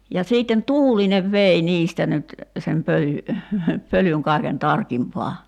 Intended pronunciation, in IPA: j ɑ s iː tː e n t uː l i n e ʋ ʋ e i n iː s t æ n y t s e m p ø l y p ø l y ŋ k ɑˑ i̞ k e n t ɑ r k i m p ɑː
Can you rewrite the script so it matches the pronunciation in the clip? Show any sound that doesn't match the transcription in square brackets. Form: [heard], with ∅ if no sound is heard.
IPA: j ɑ s iː tː e n t uː l i n e ʋ ʋ e i n iː s t æ n y t s e m p ø l y p ø l y ŋ k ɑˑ i̞ k e n t ɑ r k i m p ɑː